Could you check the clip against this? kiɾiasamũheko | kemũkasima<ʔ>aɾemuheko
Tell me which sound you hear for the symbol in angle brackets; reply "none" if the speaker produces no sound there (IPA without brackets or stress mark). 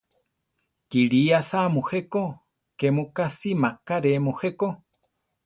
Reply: k